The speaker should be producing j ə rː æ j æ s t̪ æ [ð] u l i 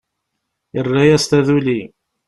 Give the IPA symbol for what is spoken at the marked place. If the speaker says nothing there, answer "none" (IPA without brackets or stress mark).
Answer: ð